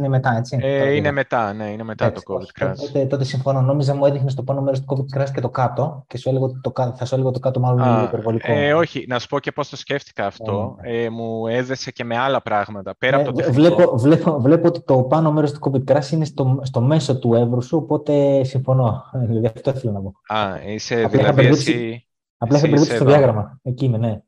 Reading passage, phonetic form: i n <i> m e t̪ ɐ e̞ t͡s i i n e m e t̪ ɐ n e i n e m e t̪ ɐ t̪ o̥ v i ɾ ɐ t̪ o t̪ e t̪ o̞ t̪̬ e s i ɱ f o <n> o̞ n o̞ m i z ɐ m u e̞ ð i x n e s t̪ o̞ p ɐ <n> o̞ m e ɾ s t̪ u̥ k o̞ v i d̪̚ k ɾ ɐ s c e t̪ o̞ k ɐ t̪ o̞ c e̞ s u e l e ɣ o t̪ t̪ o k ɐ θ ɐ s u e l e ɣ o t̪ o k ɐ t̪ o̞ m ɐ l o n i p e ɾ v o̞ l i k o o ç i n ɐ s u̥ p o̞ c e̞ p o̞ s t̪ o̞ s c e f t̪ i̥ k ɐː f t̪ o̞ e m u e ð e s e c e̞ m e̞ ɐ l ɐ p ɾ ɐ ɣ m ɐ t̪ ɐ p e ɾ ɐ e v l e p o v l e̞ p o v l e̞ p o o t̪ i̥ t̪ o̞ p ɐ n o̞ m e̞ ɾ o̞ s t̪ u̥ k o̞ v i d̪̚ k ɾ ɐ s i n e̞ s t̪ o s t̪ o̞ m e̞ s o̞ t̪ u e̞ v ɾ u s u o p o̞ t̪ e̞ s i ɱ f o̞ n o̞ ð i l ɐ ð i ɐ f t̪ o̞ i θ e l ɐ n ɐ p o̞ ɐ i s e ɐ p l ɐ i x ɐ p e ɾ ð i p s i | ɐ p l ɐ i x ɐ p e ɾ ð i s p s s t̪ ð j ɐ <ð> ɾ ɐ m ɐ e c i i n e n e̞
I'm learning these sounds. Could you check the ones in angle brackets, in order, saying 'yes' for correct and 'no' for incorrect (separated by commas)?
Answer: no, yes, yes, no